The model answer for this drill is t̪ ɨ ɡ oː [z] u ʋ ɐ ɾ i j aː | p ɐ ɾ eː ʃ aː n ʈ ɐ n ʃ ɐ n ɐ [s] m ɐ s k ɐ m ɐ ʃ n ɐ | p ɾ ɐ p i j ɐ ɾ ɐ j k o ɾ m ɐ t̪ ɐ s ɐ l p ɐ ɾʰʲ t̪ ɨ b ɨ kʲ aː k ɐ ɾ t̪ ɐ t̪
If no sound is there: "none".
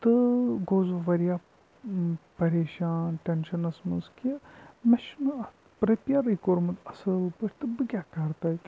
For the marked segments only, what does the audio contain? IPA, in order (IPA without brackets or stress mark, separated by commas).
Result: z, s